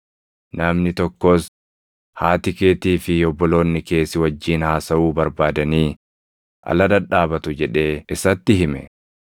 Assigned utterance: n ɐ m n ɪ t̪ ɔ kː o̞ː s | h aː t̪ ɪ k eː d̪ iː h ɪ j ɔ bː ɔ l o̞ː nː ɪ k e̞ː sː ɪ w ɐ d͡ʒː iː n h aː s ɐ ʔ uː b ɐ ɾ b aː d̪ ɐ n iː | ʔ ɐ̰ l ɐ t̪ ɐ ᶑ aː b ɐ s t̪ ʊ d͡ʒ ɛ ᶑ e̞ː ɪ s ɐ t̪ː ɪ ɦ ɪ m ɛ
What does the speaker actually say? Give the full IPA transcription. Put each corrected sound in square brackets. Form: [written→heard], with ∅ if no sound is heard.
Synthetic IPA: n ɐ m n ɪ t̪ ɔ kː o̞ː s | h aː t̪ ɪ k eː [d̪→t̪] iː [h→f] ɪ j ɔ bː ɔ l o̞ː nː ɪ k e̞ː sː ɪ w ɐ d͡ʒː iː n h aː s ɐ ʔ uː b ɐ ɾ b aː d̪ ɐ n iː | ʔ ɐ̰ l ɐ [t̪→d̪] ɐ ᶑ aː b ɐ [s→∅] t̪ ʊ d͡ʒ ɛ ᶑ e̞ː ɪ s ɐ t̪ː ɪ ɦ ɪ m ɛ